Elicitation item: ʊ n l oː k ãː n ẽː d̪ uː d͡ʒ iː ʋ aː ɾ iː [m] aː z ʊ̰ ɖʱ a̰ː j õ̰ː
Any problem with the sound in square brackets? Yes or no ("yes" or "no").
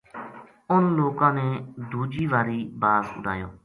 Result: yes